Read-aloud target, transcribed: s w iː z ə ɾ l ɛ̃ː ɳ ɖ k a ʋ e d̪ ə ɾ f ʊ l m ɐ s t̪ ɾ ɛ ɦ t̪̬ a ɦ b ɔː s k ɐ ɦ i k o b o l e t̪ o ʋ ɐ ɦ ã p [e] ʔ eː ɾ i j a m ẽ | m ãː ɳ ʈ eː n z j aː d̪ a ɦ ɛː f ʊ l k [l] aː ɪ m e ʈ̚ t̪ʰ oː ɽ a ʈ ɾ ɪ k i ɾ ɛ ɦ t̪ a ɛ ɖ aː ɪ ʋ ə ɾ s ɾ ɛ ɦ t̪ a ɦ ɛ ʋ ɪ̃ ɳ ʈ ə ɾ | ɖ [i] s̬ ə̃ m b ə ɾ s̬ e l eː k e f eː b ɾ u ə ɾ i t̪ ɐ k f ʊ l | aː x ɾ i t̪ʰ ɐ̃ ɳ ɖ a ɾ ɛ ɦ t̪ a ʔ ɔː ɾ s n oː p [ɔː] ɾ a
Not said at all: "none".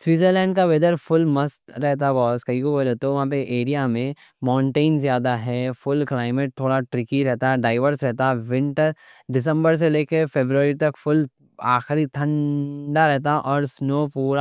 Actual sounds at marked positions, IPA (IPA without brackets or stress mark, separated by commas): e, l, ɪ, uː